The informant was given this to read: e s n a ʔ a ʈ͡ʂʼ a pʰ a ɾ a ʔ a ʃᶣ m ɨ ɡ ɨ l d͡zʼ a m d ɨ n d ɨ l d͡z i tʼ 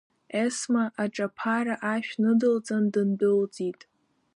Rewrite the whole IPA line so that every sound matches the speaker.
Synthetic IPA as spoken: e s m a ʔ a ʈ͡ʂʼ a pʰ a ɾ a ʔ a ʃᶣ n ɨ d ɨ l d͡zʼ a n d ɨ n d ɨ l d͡z i tʼ